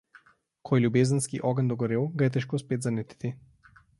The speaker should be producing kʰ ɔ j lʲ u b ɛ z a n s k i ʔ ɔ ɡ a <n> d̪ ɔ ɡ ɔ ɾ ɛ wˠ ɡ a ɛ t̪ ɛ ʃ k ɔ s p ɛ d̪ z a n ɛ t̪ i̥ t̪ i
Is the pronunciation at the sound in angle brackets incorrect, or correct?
correct